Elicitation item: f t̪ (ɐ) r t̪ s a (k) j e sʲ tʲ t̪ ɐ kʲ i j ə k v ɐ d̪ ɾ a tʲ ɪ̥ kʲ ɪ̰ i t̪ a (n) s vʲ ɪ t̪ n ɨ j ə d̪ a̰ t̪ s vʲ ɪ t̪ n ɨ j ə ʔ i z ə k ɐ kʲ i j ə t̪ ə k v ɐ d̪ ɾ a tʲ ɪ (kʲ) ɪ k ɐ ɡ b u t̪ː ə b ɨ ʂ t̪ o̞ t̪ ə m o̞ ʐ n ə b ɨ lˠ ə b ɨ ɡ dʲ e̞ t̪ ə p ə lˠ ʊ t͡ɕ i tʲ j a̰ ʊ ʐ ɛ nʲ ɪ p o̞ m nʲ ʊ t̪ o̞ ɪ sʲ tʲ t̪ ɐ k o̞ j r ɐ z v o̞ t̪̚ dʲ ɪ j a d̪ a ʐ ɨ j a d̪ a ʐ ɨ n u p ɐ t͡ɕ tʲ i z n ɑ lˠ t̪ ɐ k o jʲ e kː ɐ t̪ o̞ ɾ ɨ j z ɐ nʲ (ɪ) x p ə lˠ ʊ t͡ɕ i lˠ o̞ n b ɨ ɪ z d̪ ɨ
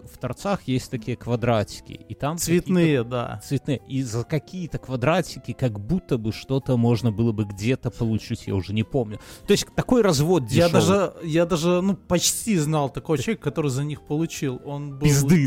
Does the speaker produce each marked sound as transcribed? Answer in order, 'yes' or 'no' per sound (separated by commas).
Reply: yes, no, no, yes, no